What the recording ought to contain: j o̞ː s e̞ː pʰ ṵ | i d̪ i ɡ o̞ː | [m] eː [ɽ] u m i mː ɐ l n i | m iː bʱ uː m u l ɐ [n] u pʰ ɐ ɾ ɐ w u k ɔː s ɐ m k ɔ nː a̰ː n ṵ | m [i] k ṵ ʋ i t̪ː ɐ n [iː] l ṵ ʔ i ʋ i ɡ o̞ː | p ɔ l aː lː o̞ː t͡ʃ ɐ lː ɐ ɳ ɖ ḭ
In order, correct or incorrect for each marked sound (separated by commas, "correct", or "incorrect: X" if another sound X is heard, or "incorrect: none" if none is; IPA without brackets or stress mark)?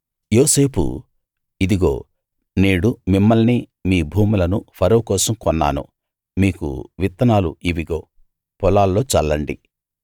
incorrect: n, correct, correct, incorrect: iː, incorrect: aː